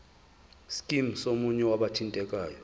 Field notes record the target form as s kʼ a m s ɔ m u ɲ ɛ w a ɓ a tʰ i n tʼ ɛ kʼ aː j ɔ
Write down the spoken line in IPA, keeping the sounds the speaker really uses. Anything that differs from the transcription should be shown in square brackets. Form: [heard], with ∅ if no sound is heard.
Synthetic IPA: s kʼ [i] m s [o] m u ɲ ɛ w a ɓ a tʰ i n tʼ ɛ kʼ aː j ɔ